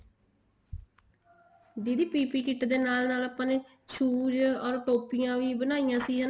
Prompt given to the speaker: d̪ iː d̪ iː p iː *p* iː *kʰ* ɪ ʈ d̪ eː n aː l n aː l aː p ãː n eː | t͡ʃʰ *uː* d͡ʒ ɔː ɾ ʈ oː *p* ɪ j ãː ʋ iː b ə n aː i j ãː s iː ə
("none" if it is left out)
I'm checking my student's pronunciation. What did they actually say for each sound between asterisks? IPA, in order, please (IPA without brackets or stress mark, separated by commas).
p, k, uː, p